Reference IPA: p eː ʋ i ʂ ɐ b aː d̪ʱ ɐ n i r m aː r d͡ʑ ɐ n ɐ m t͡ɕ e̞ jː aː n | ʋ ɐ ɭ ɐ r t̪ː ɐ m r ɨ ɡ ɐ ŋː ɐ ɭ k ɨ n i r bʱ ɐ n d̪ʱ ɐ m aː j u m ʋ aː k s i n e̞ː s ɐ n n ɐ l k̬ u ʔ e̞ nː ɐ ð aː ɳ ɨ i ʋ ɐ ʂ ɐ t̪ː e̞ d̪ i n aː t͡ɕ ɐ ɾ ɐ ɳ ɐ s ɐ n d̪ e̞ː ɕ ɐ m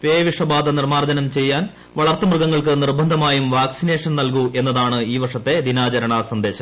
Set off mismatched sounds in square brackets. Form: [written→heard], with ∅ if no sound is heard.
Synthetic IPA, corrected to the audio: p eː ʋ i ʂ ɐ b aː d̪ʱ ɐ n i r m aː r d͡ʑ ɐ n ɐ m t͡ɕ e̞ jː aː n | ʋ ɐ ɭ ɐ r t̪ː ɐ m r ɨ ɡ ɐ ŋː ɐ ɭ k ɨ n i r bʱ ɐ n d̪ʱ ɐ m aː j u m ʋ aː k s i n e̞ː [s→ʂ] ɐ n n ɐ l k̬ u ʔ e̞ nː ɐ ð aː ɳ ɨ [i→iː] ʋ ɐ ʂ ɐ t̪ː e̞ d̪ i n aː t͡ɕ ɐ ɾ ɐ ɳ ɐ s ɐ n d̪ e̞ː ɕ ɐ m

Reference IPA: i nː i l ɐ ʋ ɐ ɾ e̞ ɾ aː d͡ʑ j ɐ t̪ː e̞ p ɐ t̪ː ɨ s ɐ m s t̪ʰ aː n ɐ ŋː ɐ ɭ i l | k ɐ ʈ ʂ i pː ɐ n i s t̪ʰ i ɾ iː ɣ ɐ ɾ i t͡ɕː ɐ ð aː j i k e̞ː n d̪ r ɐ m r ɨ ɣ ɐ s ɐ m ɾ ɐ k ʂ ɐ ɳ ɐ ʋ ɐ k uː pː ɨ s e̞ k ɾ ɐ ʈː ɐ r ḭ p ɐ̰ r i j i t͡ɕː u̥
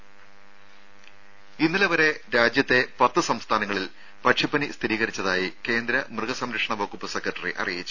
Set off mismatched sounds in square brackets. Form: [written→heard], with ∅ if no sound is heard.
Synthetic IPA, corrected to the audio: i nː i l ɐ ʋ ɐ ɾ e̞ ɾ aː d͡ʑ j ɐ t̪ː e̞ p ɐ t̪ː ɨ s ɐ m s t̪ʰ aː n ɐ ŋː ɐ ɭ i l | [k→p] ɐ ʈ ʂ i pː ɐ n i s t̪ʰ i ɾ iː ɣ ɐ ɾ i t͡ɕː ɐ ð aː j i k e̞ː n d̪ [r→ɾ] ɐ m r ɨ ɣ ɐ s ɐ m ɾ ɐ k ʂ ɐ ɳ ɐ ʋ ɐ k [uː→u] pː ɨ s e̞ k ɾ ɐ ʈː ɐ r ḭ [p→ʔ] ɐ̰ r i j i t͡ɕː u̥

